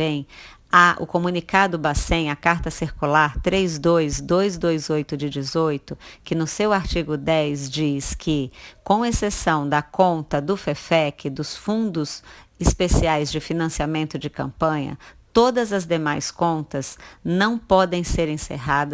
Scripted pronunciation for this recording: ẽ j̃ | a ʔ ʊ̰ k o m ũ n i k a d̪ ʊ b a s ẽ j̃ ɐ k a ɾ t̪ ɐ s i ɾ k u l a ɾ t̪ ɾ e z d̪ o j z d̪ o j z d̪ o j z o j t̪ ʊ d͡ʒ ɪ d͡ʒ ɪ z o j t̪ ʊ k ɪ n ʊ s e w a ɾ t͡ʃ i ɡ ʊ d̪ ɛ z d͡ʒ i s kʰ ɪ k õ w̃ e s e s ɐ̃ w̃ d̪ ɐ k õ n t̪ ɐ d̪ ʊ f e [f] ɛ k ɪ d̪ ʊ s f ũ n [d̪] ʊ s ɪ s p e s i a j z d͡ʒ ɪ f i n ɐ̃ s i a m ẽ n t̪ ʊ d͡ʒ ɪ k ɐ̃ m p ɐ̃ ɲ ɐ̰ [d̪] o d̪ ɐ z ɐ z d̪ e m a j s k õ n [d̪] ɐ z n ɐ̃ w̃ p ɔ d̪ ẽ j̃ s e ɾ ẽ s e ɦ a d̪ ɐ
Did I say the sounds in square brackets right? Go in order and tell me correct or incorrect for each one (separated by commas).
correct, correct, incorrect, incorrect